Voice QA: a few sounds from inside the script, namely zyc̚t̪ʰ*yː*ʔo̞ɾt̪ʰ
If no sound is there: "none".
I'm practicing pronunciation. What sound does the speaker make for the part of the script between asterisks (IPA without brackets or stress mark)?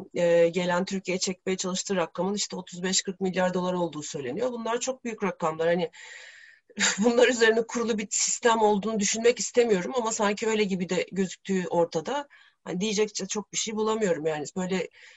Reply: yː